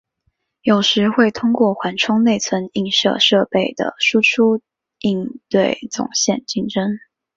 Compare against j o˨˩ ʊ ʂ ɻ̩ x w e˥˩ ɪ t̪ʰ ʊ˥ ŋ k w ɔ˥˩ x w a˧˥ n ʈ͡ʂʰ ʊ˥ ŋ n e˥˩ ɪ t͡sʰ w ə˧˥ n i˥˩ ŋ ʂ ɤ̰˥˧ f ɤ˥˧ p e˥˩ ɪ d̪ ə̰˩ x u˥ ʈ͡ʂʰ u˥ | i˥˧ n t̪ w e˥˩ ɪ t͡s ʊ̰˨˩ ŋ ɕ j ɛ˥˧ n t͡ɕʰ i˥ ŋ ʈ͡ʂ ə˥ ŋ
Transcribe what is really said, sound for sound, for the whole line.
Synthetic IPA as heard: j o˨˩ ʊ ʂ ɻ̩ x w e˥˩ ɪ t̪ʰ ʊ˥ ŋ k w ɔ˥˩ x w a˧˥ n ʈ͡ʂʰ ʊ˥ ŋ n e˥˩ ɪ t͡sʰ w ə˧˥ n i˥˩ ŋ ʂ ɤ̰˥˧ ʂ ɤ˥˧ p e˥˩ ɪ d̪ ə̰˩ ʂ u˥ ʈ͡ʂʰ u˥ | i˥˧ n t̪ w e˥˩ ɪ t͡s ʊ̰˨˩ ŋ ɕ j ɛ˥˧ n t͡ɕ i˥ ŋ ʈ͡ʂ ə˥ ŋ

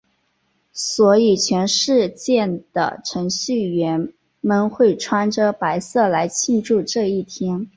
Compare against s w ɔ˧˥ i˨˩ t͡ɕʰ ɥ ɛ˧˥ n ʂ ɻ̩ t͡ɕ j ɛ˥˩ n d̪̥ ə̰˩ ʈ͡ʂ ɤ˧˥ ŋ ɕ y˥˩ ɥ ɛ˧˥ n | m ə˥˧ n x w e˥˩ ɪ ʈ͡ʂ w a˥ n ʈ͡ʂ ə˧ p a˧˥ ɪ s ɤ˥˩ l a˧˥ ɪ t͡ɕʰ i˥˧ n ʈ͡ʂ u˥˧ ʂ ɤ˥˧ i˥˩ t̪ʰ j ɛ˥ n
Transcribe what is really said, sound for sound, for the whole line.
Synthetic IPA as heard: s w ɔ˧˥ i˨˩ t͡ɕʰ ɥ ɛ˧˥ n ʂ ɻ̩ t͡ɕ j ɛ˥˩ n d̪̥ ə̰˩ ʈ͡ʂʰ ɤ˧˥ ŋ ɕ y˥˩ ɥ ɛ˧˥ n | m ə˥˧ n x w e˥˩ ɪ ʈ͡ʂʰ w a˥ n ʈ͡ʂ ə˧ p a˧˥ ɪ s ɤ˥˩ l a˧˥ ɪ t͡ɕʰ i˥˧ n ʈ͡ʂ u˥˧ ʈ͡ʂ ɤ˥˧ i˥˩ t̪ʰ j ɛ˥ n

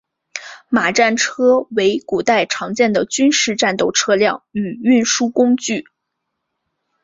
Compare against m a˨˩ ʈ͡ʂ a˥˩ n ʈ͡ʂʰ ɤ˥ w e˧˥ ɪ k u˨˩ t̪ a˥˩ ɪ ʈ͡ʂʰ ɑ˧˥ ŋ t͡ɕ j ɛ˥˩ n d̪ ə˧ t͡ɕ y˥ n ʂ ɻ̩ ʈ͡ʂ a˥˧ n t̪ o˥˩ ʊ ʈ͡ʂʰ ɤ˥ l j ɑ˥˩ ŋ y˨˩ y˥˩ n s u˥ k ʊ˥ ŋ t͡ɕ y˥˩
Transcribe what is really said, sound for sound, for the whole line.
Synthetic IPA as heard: m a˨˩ ʈ͡ʂ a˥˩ n ʈ͡ʂʰ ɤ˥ w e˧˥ ɪ k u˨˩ t̪ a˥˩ ɪ ʈ͡ʂʰ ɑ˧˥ ŋ t͡ɕ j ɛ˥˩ n d̪ ə˩ t͡ɕ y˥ n ʂ ɻ̩ ʈ͡ʂ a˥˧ n t̪ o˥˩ ʊ ʈ͡ʂʰ ɤ˥ l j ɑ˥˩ ŋ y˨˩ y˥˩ n ʂ u˥ k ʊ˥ ŋ t͡ɕ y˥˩

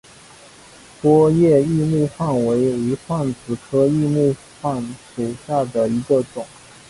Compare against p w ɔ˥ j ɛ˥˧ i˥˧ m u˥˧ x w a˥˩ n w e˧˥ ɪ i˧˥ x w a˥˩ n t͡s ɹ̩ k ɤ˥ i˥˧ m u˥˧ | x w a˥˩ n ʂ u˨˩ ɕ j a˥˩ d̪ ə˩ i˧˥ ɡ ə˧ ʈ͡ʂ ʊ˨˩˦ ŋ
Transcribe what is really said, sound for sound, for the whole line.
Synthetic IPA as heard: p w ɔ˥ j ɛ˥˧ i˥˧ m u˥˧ x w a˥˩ n w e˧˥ ɪ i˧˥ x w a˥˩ n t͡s ɹ̩ kʰ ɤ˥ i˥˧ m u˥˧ | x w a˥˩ n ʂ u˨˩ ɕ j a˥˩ d̪ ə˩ i˧˥ ɡ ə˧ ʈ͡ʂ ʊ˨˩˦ ŋ

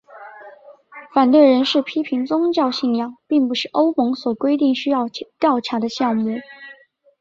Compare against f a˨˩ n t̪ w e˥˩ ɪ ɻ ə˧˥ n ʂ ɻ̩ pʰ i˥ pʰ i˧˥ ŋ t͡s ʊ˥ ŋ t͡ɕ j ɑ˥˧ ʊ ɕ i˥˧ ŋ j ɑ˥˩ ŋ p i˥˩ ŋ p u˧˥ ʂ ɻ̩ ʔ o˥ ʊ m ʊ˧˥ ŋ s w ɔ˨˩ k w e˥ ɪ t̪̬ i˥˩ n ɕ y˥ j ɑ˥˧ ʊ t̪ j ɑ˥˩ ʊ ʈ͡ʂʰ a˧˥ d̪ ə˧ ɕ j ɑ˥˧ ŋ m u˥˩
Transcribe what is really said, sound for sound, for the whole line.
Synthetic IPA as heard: f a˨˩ n t̪ w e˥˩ ɪ ɻ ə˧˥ n ʂ ɻ̩ pʰ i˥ pʰ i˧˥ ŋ t͡s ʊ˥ ŋ t͡ɕ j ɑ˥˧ ʊ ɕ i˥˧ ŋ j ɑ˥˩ ŋ p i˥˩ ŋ p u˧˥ ʂ ɻ̩ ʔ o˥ ʊ m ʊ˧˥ ŋ s w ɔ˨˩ k w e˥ ɪ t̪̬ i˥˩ ŋ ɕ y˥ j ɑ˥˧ ʊ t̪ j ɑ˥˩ ʊ ʈ͡ʂʰ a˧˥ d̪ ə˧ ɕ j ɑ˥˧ ŋ m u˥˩

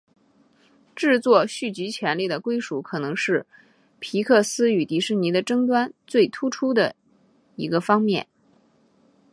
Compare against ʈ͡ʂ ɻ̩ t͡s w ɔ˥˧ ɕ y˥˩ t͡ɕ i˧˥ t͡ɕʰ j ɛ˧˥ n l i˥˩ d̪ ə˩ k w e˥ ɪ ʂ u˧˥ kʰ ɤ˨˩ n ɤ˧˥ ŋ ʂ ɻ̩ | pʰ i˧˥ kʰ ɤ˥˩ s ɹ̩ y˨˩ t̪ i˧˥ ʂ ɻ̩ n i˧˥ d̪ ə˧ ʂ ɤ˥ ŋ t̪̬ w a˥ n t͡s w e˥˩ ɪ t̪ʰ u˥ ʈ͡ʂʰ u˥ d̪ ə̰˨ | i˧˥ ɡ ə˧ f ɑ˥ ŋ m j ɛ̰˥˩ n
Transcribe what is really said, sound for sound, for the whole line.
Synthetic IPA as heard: ʈ͡ʂ ɻ̩ t͡s w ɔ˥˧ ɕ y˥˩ t͡ɕ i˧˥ t͡ɕʰ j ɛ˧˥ n l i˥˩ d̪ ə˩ k w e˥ ɪ ʂ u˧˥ kʰ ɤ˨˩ n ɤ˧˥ ŋ ʂ ɻ̩ | pʰ i˧˥ kʰ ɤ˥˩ s ɹ̩ y˨˩ t̪ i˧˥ ʂ ɻ̩ n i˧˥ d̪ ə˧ ʈ͡ʂ ɤ˥ ŋ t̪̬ w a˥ n t͡s w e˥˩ ɪ t̪ʰ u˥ ʈ͡ʂʰ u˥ d̪ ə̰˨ | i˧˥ ɡ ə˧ f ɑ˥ ŋ m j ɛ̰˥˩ n

